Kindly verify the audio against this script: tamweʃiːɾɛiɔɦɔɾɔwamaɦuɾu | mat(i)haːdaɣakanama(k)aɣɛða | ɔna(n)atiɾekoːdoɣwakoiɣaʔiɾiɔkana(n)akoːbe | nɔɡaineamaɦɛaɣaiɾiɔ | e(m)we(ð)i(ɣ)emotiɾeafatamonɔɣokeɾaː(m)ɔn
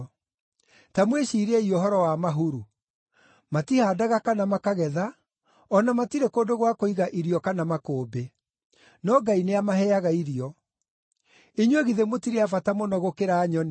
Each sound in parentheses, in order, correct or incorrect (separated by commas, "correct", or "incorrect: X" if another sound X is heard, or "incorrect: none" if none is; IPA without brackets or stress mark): correct, correct, incorrect: m, incorrect: m, incorrect: ɲ, incorrect: ɣ, incorrect: ð, incorrect: ɲ